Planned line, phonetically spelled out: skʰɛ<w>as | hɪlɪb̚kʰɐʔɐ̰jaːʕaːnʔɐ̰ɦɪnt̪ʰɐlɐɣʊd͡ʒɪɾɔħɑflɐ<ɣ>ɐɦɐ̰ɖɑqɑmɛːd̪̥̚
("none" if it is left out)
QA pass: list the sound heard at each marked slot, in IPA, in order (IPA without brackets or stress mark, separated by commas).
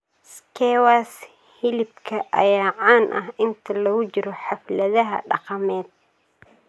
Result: w, ð